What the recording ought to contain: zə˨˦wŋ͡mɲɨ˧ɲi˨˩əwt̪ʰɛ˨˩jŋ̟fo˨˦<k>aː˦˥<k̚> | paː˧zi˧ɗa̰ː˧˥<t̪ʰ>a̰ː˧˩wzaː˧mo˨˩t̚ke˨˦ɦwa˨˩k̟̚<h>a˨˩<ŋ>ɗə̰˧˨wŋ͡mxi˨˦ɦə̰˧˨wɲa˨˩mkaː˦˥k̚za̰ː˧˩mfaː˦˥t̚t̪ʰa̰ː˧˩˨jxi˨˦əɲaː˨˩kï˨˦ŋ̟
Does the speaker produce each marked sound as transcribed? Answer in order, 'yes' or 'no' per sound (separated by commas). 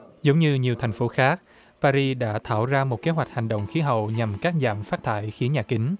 no, yes, yes, yes, yes